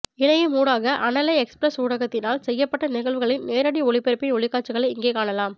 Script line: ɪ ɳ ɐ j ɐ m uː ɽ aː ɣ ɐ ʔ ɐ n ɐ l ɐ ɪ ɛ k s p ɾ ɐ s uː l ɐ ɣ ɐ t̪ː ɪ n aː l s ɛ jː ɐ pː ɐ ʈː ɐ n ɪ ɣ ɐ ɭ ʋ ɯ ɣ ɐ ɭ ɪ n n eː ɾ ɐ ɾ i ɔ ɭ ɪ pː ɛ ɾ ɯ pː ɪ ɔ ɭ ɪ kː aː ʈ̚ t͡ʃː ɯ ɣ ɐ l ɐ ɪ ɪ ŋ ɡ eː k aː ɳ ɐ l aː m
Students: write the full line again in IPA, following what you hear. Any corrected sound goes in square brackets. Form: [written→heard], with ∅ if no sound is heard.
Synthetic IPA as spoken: ɪ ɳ ɐ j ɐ m uː ɽ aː ɣ ɐ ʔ ɐ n ɐ l ɐ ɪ ɛ k s p ɾ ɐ s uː [l→ɽ] ɐ ɣ ɐ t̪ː ɪ n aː l s ɛ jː ɐ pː ɐ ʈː ɐ n ɪ ɣ ɐ ɭ ʋ ɯ ɣ ɐ ɭ ɪ n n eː ɾ ɐ [ɾ→ɽ] i ɔ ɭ ɪ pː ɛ ɾ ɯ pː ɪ ɔ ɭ ɪ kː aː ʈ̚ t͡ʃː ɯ ɣ ɐ [l→ɭ] ɐ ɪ ɪ ŋ ɡ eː k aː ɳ ɐ l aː m